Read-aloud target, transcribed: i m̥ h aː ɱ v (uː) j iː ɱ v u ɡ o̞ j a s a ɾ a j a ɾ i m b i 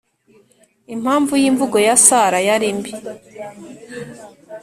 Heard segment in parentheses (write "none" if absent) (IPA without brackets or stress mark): u